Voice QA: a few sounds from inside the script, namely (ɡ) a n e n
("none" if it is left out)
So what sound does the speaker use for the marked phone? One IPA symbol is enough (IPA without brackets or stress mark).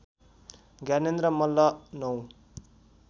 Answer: ɡ